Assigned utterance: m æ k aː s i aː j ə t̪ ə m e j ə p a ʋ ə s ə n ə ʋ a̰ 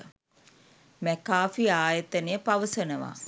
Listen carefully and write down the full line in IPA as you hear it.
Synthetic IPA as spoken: m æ k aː f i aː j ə t̪ ə n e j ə p a ʋ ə s ə n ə ʋ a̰